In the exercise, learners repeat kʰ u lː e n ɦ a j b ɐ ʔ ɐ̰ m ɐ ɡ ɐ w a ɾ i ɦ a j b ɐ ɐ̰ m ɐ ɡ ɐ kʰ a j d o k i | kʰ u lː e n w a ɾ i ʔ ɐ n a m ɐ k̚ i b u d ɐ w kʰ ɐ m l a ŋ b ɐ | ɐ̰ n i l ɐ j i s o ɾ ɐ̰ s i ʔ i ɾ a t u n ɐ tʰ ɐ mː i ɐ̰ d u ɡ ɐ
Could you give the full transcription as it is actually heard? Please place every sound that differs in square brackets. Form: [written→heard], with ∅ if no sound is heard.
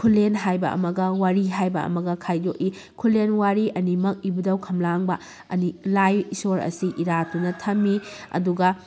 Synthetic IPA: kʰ u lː e n ɦ a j b ɐ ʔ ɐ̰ m ɐ ɡ ɐ w a ɾ i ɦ a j b ɐ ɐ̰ m ɐ ɡ ɐ kʰ a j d o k i | kʰ u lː e n w a ɾ i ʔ ɐ n [a→i] m ɐ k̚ i b u d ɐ w kʰ ɐ m l a ŋ b ɐ | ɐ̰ n i l [ɐ→a] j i s o ɾ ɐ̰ s i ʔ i ɾ a t u n ɐ tʰ ɐ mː i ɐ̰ d u ɡ ɐ